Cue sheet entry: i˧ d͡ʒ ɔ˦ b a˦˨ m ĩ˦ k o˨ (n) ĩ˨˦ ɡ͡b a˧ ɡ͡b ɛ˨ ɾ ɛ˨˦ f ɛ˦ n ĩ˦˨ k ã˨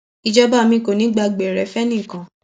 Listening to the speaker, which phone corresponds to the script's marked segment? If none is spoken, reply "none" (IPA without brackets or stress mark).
n